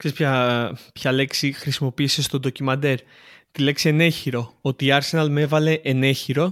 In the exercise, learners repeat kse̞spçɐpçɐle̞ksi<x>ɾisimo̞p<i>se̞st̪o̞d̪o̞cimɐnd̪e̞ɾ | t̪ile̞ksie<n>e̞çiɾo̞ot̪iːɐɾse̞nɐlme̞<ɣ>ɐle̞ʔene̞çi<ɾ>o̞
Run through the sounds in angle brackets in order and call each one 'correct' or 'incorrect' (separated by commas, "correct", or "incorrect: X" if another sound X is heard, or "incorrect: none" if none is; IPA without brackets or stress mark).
correct, incorrect: iː, correct, incorrect: v, correct